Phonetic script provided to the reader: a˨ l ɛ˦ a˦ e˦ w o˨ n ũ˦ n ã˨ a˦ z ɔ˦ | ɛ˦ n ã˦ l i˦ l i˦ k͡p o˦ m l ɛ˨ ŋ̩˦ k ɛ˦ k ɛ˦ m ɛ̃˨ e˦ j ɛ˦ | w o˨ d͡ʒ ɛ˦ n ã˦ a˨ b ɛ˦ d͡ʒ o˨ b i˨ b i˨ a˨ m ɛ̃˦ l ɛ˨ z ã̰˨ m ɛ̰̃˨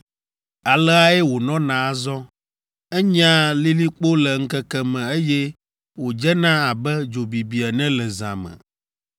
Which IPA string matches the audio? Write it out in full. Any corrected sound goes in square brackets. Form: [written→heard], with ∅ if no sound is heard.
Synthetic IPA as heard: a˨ l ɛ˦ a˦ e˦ w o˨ n [ũ˦→ɔ̃˦] n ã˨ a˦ z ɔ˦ | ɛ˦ [n→ɲ] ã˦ l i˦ l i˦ k͡p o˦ [m→∅] l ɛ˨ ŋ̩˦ k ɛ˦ k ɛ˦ m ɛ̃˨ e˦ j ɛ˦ | w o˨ d͡ʒ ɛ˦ n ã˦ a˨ b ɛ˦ d͡ʒ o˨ b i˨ b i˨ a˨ [m→n] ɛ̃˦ l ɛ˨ z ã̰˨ m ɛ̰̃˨